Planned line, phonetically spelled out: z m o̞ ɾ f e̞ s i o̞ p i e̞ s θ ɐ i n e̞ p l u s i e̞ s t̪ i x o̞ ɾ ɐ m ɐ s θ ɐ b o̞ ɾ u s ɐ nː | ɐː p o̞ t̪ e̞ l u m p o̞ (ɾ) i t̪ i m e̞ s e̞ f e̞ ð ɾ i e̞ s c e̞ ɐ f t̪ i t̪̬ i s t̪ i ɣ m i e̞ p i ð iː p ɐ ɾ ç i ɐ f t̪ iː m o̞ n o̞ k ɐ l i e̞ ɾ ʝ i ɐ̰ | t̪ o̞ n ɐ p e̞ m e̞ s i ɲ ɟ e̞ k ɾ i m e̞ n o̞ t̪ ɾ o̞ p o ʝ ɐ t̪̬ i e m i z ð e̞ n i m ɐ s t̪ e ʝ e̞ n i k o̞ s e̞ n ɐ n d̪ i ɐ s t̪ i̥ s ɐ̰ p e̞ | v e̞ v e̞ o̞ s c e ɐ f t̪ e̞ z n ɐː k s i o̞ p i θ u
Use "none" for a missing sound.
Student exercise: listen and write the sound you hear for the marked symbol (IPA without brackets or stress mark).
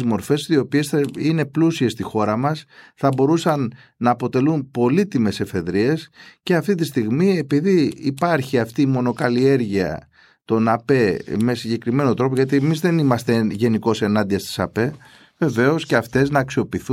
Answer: l